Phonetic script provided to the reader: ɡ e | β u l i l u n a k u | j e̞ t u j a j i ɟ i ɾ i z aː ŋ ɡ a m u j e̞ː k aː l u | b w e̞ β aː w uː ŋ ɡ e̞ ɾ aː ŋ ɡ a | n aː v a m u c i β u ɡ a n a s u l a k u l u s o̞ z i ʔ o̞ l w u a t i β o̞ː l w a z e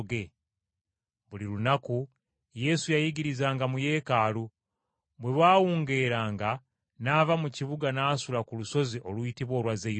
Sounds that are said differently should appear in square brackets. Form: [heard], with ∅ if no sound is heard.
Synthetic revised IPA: ɡ e | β u l i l u n a k u | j e̞ [s] u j a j i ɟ i ɾ i z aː ŋ ɡ a m u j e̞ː k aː l u | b w e̞ β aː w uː ŋ ɡ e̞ ɾ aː ŋ ɡ a | n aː v a m u c i β u ɡ a n a s u l a k u l u s o̞ z i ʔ o̞ l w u [i] t i β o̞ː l w a z e